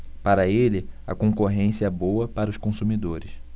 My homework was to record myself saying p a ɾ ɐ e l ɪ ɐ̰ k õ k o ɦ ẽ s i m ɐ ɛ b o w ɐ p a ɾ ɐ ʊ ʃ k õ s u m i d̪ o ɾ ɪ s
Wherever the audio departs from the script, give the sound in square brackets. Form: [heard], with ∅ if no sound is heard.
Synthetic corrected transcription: p a ɾ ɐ e l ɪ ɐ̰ k õ k o ɦ ẽ s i [∅] ɐ ɛ b o w ɐ p a ɾ ɐ ʊ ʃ k õ s u m i d̪ o ɾ ɪ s